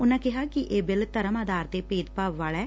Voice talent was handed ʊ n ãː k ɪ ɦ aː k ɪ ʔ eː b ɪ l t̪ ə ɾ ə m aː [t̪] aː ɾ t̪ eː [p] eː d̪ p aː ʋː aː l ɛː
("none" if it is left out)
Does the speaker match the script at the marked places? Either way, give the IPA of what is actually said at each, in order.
d̪, p

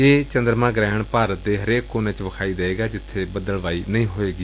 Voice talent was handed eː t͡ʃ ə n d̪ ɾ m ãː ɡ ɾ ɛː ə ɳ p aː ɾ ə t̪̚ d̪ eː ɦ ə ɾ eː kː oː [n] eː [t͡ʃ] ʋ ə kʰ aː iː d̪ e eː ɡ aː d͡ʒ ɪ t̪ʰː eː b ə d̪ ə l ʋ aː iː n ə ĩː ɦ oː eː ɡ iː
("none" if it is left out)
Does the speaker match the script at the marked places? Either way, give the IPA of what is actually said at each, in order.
n, t͡ʃ

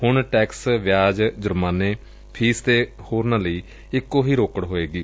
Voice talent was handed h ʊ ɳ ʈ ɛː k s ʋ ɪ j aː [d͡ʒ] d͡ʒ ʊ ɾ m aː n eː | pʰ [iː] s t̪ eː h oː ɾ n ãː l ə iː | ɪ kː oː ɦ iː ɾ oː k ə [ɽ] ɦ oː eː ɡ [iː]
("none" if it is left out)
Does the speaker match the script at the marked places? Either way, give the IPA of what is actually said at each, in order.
d͡ʒ, iː, ɽ, iː

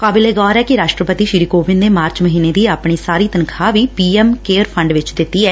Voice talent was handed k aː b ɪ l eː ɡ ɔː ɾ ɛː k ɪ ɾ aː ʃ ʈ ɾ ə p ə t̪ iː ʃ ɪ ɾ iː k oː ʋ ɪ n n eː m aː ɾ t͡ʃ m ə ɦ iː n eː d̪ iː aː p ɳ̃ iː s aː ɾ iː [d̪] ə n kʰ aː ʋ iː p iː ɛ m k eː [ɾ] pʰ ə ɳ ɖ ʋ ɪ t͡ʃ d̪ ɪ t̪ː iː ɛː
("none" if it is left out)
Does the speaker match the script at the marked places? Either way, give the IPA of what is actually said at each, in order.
t̪, ɾ

